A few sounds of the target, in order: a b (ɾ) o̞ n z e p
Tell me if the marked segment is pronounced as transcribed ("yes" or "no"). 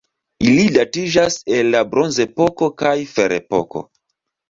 yes